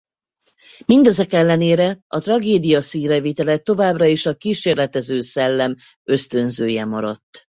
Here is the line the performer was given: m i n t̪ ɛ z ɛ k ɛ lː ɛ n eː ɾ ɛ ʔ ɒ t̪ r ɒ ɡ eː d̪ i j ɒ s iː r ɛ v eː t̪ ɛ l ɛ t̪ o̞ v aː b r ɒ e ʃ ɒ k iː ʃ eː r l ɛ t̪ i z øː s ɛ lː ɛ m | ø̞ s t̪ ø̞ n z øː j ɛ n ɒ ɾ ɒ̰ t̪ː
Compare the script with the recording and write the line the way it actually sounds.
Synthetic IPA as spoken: m i n d̪ ɛ z ɛ k ɛ lː ɛ n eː ɾ ɛ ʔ ɒ t̪ r ɒ ɡ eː d̪ i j ɒ s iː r ɛ v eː t̪ ɛ l ɛ t̪ o̞ v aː b r ɒ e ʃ ɒ k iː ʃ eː r l ɛ t̪ ɛ z øː s ɛ lː ɛ m | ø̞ s t̪ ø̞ n z øː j ɛ m ɒ ɾ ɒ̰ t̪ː